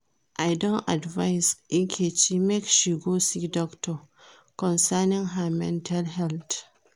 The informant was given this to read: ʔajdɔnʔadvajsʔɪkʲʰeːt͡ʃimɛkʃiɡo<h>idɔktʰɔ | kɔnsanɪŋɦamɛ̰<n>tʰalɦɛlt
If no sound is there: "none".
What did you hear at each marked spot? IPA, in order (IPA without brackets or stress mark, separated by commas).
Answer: s, n